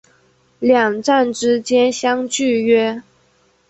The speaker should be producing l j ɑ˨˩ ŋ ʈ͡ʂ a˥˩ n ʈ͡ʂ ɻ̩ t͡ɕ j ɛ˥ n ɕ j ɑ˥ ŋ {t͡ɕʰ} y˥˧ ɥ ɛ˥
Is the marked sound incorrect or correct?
incorrect